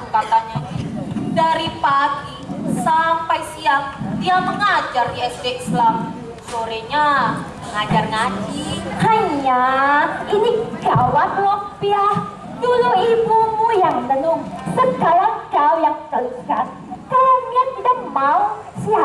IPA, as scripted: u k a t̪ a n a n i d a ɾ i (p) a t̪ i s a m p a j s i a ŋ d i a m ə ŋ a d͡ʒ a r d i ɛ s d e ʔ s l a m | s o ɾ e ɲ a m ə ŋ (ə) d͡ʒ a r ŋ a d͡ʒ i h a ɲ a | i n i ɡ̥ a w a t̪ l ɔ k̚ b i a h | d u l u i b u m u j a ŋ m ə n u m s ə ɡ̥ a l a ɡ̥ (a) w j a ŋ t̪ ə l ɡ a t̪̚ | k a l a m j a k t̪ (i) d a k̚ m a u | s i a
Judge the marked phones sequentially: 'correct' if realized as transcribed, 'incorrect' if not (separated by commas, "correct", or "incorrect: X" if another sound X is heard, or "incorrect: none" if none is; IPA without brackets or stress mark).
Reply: correct, incorrect: a, correct, correct